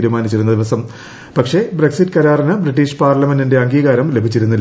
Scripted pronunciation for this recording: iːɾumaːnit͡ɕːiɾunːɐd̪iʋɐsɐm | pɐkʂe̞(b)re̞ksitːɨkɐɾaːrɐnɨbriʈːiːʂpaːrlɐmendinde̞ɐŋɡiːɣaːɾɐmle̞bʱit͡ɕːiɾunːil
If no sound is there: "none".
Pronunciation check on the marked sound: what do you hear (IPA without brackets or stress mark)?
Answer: b